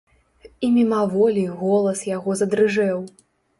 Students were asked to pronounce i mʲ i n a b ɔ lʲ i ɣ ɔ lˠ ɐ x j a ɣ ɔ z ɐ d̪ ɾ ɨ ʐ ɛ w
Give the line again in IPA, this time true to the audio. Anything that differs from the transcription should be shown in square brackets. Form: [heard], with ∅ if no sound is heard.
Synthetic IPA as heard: i mʲ i [m] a [v] ɔ lʲ i ɣ ɔ lˠ ɐ [s] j a ɣ ɔ z ɐ d̪ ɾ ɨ ʐ ɛ w